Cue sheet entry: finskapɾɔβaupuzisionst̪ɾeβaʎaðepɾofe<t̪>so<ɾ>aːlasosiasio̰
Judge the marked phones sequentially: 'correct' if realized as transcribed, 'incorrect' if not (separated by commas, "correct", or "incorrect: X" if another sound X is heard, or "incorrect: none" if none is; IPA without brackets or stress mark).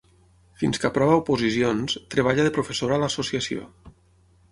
incorrect: none, correct